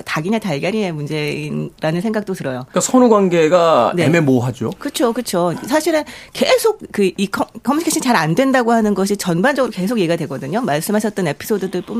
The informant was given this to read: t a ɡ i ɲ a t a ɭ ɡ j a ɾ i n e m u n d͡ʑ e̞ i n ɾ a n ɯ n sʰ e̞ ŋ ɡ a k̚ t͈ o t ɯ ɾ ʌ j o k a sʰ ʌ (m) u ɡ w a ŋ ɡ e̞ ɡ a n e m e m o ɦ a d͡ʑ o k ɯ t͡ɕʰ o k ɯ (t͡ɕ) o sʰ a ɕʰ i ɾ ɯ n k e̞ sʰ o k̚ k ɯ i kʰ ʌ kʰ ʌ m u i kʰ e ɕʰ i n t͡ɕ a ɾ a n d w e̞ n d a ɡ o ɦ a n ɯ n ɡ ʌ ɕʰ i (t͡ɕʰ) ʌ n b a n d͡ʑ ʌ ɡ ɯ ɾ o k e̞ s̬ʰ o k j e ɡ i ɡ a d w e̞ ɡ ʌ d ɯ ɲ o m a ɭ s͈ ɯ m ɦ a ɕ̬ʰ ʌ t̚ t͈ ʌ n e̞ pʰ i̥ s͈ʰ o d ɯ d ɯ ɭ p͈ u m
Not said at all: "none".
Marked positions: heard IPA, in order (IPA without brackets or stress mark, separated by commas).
n, t͡ɕʰ, t͡ɕ